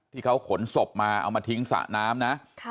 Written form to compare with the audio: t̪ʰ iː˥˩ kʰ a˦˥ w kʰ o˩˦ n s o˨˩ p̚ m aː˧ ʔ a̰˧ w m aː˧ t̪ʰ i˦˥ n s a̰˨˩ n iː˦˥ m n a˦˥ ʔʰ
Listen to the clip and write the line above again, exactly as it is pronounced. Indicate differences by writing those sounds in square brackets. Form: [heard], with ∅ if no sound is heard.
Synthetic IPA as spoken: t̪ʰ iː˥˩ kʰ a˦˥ w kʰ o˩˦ n s o˨˩ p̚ m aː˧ ʔ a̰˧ w m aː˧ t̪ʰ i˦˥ [ŋ] s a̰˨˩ n [aː˦˥] m n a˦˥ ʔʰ